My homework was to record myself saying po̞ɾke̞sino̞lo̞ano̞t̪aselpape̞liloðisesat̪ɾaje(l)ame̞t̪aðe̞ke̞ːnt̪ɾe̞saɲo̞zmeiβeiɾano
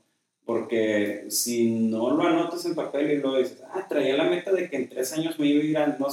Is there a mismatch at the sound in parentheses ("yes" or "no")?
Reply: no